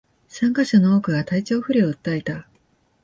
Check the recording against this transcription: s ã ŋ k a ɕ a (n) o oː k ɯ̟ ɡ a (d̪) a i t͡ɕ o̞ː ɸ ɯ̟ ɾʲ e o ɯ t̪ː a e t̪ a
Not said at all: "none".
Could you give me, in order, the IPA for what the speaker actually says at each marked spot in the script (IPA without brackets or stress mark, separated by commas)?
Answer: n, t̪